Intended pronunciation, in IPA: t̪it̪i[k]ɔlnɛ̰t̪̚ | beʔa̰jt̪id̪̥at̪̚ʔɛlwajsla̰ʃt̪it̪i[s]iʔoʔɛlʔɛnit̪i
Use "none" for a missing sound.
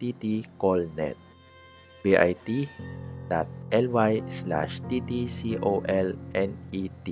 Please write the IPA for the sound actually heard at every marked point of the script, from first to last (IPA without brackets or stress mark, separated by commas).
k, s